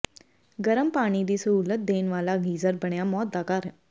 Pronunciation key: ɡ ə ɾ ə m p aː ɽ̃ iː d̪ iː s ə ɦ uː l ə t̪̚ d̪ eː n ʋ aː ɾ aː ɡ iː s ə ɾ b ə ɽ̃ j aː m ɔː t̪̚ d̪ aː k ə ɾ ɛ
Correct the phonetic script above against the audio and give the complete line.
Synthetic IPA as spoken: ɡ ə ɾ ə m p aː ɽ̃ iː d̪ iː s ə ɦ uː l ə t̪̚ d̪ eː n ʋ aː l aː ɡ iː z ə ɾ b ə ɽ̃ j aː m ɔː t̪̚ d̪ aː k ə ɾ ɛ